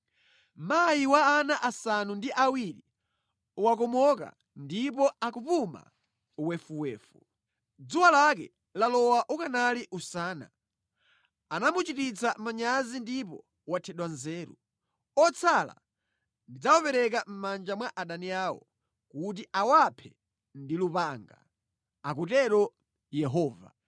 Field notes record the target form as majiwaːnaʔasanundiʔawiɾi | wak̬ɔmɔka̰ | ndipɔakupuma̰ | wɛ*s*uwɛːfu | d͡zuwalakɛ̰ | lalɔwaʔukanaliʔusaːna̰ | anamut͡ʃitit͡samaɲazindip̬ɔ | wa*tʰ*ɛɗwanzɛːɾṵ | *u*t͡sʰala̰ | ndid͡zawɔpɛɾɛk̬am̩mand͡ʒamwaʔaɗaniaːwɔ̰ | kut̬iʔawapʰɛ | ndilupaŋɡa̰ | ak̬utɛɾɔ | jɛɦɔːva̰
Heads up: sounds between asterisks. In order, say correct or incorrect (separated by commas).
incorrect, correct, incorrect